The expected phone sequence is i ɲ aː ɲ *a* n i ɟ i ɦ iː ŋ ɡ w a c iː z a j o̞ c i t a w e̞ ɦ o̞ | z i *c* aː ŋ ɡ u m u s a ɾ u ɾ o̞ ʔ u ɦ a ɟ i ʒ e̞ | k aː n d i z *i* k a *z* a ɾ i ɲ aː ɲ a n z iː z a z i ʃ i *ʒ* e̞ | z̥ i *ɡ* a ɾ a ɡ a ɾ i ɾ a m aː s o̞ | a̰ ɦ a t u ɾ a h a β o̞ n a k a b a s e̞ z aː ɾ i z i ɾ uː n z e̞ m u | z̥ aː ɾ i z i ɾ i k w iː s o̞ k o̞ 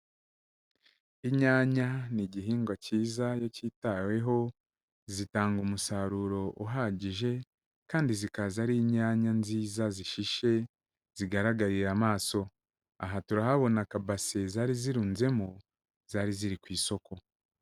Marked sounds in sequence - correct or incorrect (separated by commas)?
correct, incorrect, correct, correct, incorrect, correct